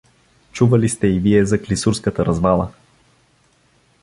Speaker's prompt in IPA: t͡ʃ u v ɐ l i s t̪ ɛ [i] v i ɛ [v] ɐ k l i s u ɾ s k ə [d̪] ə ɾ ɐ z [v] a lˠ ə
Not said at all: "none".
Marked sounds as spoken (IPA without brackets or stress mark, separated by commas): i, z, t̪, v